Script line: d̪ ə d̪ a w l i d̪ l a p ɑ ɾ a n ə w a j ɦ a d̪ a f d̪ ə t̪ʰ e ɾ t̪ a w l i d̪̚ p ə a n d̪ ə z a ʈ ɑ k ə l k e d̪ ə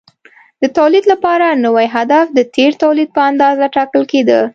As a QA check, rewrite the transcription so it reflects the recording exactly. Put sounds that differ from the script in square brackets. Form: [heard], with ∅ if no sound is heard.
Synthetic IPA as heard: d̪ ə [t̪] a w l i d̪ l a p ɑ ɾ a n ə w a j ɦ a d̪ a f d̪ ə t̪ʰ e ɾ t̪ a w l i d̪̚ p ə a n d̪ [ɑ] z a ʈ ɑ k ə l k e d̪ ə